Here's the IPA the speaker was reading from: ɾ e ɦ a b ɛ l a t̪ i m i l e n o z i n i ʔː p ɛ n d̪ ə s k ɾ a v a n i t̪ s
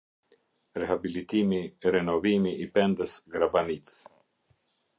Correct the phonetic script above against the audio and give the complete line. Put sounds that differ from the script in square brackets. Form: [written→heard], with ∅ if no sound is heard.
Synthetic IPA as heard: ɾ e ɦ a b [ɛ→i] l [a→i] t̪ i m i [l→ɾ] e n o [z→v] i [n→m] i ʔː p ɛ n d̪ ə s [k→ɡ] ɾ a [v→b] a n i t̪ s